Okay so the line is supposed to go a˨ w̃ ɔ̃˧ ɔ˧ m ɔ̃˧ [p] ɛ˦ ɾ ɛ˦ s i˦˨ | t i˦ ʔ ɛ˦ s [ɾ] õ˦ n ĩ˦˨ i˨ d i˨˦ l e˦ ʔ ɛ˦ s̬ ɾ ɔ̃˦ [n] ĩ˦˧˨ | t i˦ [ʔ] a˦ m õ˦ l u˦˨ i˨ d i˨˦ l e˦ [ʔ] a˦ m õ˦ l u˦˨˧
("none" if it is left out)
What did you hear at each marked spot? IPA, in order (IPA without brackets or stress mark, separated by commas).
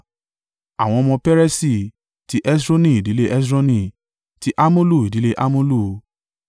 p, ɾ, n, ʔ, ʔ